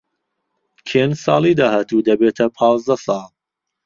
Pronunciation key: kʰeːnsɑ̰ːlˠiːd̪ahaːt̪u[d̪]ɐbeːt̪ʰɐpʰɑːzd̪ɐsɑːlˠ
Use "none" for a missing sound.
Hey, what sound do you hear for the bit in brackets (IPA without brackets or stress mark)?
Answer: d̪